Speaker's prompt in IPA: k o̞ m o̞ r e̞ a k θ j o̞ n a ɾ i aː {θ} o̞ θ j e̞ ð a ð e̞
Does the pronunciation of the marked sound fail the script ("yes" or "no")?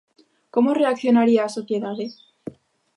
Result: yes